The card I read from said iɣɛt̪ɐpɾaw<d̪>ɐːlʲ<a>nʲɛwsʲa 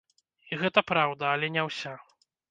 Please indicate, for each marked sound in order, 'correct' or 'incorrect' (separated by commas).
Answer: correct, incorrect